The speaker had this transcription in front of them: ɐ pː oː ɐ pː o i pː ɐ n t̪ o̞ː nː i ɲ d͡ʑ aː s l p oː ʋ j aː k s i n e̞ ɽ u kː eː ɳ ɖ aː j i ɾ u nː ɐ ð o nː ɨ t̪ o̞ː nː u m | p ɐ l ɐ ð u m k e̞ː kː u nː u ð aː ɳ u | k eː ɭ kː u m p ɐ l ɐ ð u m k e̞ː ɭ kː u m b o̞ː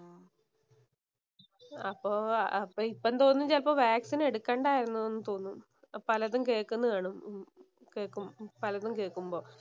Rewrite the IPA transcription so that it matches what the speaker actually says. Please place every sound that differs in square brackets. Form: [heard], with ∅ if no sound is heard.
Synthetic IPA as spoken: ɐ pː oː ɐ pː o i pː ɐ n t̪ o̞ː nː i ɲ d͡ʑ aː [∅] l p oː ʋ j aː k s i n e̞ ɽ u kː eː ɳ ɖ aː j i ɾ u nː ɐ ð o nː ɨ t̪ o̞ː nː u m | p ɐ l ɐ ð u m k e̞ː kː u nː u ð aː ɳ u | k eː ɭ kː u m p ɐ l ɐ ð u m k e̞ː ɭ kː u m b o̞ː